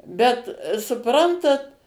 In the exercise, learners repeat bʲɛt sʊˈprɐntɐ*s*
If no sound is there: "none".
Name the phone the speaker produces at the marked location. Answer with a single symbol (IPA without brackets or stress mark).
t